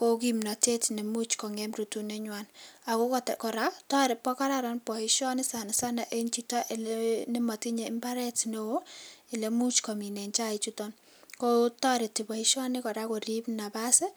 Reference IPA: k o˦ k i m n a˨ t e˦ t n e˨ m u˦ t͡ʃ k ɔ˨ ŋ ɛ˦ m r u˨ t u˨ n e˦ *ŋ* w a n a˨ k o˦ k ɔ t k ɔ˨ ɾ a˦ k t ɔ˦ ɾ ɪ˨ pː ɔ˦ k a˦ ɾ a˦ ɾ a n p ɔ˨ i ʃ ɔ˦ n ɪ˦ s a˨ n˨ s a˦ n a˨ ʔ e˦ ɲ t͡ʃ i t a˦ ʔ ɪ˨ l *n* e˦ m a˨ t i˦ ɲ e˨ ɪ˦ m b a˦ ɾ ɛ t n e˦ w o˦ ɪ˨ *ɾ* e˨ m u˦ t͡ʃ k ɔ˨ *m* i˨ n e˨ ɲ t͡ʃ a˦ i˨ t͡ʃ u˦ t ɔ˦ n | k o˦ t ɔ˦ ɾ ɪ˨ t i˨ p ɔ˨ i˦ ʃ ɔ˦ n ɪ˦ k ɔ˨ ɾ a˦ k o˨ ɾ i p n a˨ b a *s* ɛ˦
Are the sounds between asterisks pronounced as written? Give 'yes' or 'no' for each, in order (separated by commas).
no, yes, no, yes, yes